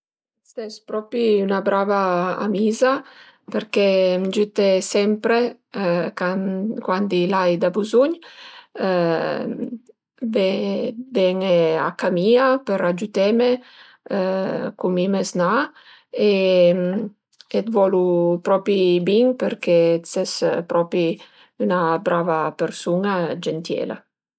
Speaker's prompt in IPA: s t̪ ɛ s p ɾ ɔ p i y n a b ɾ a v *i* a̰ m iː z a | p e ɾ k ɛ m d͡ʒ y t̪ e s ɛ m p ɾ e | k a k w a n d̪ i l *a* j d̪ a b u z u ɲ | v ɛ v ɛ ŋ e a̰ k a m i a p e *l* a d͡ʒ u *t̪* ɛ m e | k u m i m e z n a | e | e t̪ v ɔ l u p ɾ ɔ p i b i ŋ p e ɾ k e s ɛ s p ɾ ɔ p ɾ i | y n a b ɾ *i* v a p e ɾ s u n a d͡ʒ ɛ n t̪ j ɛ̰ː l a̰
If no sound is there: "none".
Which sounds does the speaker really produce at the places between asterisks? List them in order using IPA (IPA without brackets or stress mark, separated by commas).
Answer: a, a, ɾ, t̪, a